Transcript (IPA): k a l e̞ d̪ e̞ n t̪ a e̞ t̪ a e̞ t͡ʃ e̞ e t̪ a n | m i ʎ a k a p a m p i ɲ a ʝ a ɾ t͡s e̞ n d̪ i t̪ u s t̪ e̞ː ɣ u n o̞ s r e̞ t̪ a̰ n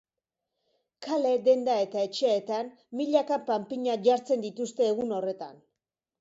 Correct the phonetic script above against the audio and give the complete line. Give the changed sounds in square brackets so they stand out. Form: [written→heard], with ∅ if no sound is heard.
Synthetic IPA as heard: k a l e̞ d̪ e̞ n [t̪→d̪] a e̞ t̪ a e̞ t͡ʃ e̞ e t̪ a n | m i ʎ a k a p a m p i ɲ a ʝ a ɾ t͡s e̞ n d̪ i t̪ u s t̪ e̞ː ɣ u n o̞ [s→∅] r e̞ t̪ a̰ n

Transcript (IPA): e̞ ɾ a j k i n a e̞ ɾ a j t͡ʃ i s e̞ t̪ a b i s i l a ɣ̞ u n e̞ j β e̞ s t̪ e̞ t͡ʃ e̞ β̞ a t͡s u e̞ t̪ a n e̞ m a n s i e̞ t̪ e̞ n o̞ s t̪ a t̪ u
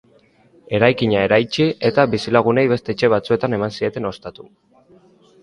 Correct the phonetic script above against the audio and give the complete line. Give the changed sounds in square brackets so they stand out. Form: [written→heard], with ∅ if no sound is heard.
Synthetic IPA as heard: e̞ ɾ a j k i [n→ɲ] a e̞ ɾ a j t͡ʃ i [s→∅] e̞ t̪ a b i s i l a ɣ̞ u n e̞ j β e̞ s t̪ e̞ t͡ʃ e̞ β̞ a t͡s u e̞ t̪ a n e̞ m a n s i e̞ t̪ e̞ n o̞ s t̪ a t̪ u

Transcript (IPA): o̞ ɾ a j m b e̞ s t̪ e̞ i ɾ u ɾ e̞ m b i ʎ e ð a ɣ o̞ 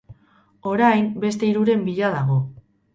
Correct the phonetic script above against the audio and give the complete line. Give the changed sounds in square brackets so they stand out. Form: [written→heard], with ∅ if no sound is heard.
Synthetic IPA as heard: o̞ ɾ a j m b e̞ s t̪ e̞ i ɾ u ɾ e̞ m b i ʎ [e→a] ð a ɣ o̞

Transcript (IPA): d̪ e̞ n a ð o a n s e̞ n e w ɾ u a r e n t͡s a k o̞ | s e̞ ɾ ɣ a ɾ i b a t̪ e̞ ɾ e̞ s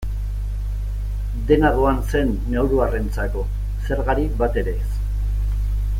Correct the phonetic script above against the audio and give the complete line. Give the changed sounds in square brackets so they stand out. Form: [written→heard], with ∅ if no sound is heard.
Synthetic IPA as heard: d̪ e̞ n a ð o a n s e̞ [n→nː] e w ɾ u a r e n t͡s a k o̞ | s e̞ ɾ ɣ a ɾ i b a t̪ e̞ ɾ e̞ s

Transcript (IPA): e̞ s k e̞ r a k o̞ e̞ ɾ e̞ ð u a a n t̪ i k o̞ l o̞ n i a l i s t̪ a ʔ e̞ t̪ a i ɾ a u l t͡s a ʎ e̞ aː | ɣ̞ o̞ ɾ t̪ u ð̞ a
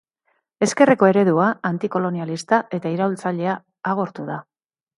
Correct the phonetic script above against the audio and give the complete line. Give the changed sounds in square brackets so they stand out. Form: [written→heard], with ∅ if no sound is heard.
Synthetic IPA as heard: e̞ s k e̞ r [a→e] k o̞ e̞ ɾ e̞ ð u a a n t̪ i k o̞ l o̞ n i a l i s t̪ a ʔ e̞ t̪ a i ɾ a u l t͡s a ʎ e̞ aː | ɣ̞ o̞ ɾ t̪ u ð̞ a

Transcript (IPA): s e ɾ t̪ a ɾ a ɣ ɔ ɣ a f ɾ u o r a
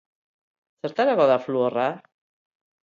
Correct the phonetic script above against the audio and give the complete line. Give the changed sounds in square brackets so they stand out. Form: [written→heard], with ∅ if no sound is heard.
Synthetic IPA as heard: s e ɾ t̪ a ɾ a ɣ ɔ [ɣ→ð] a f [ɾ→l] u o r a

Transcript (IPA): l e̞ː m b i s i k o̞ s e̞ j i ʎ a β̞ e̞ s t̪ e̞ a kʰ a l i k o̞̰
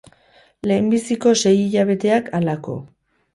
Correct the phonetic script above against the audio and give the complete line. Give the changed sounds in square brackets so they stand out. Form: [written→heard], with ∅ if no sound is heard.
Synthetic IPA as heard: l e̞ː m b i s i k o̞ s e̞ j i ʎ a β̞ e̞ [s→∅] t̪ e̞ a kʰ a l [i→a] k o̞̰

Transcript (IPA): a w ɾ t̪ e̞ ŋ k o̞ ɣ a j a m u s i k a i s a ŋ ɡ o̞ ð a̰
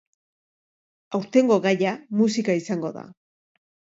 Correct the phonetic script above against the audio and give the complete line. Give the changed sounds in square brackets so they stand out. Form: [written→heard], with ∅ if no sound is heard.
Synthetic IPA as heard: a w ɾ t̪ e̞ ŋ [k→ɡ] o̞ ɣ a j a m u s i k a i s a ŋ ɡ o̞ ð a̰

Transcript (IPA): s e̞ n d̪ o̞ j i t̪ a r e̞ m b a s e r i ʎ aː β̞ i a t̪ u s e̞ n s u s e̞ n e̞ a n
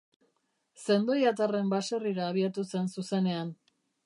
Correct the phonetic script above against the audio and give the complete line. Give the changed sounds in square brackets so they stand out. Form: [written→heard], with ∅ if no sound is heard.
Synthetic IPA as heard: s e̞ n d̪ o̞ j [i→a] t̪ a r e̞ m b a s e r i [ʎ→ɾ] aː β̞ i a t̪ u s e̞ n s u s e̞ n e̞ a n

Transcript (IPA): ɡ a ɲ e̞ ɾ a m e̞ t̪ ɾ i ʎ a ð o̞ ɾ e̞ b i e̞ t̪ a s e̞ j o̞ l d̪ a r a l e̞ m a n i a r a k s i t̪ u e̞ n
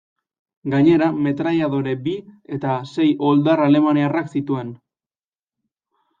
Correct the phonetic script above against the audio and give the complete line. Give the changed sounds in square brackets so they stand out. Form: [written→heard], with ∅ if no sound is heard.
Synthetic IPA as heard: ɡ a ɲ e̞ ɾ a m e̞ t̪ ɾ [i→a] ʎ a ð o̞ ɾ e̞ b i e̞ t̪ a s e̞ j o̞ l d̪ a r a l e̞ m a n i a r a k s i t̪ u e̞ n

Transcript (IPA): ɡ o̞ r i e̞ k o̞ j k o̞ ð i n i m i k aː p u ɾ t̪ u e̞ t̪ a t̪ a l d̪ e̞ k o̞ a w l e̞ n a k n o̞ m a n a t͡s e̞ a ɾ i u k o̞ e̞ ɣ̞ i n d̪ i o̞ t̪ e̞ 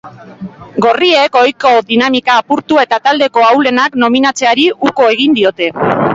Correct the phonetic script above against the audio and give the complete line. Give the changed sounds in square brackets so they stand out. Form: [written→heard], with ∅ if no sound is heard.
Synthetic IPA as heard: ɡ o̞ r i e̞ k o̞ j k o̞ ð i n [i→a] m i k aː p u ɾ t̪ u e̞ t̪ a t̪ a l d̪ e̞ k o̞ a w l e̞ n a k n o̞ m [a→i] n a t͡s e̞ a ɾ i u k o̞ e̞ ɣ̞ i n d̪ i o̞ t̪ e̞

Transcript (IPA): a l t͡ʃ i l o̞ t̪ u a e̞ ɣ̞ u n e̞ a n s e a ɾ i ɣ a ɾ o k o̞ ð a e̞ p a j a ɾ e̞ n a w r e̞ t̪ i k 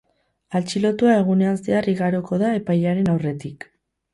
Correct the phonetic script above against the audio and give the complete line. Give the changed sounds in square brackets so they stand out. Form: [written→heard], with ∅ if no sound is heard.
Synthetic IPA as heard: a l t͡ʃ i l o̞ t̪ u a e̞ ɣ̞ u n e̞ a n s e a [ɾ→r] i ɣ a ɾ o k o̞ ð a e̞ p a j a ɾ e̞ n a w r e̞ t̪ i k

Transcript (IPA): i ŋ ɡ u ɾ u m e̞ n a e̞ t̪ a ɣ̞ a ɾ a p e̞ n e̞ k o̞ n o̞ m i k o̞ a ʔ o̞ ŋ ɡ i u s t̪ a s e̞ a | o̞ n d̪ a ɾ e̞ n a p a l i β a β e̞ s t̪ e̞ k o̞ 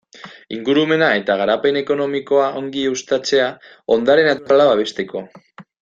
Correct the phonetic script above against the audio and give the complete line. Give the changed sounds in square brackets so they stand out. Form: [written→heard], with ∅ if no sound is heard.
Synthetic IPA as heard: i ŋ ɡ u ɾ u m e̞ n a e̞ t̪ a ɣ̞ a ɾ a p e̞ n e̞ k o̞ n o̞ m i k o̞ a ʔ o̞ ŋ ɡ i u s t̪ a [s→t͡s] e̞ a | o̞ n d̪ a ɾ e̞ n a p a l [i→a] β a β e̞ s t̪ e̞ k o̞

